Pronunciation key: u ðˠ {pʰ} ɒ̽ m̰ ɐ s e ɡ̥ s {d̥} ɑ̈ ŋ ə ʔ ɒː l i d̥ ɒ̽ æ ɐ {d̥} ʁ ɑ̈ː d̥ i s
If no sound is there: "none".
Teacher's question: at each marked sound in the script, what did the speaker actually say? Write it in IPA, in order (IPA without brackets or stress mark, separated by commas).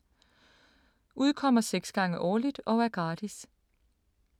kʰ, ɡ̥, ɡ̥